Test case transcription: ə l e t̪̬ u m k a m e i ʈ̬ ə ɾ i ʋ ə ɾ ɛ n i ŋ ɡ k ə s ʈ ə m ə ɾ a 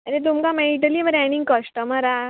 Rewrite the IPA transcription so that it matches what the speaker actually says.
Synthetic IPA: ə ɾ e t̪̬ u m k a m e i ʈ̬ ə l i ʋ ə ɾ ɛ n i ŋ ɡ k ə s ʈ ə m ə ɾ a